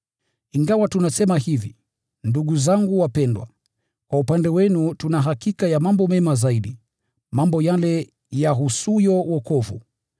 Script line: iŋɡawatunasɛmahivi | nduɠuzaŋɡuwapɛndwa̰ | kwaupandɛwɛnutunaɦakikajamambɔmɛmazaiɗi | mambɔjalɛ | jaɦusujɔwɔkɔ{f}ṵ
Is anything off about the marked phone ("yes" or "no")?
yes